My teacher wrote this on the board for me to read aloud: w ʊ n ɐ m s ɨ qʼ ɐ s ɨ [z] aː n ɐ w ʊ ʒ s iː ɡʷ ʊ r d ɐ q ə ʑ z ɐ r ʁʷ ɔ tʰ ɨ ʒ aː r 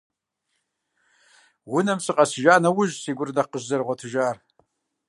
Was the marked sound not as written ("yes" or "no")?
yes